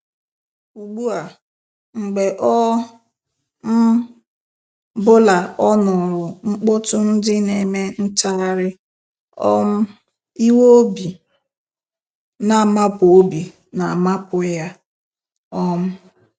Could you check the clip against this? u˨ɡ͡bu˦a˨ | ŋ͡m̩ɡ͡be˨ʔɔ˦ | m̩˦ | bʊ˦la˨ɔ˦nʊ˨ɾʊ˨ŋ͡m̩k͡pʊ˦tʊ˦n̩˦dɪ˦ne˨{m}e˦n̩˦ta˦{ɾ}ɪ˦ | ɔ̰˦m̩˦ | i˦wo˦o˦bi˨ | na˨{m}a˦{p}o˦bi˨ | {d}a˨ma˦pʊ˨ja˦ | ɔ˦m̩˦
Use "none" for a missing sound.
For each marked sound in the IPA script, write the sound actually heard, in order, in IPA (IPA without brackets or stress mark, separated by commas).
m, ɾ, m, p, n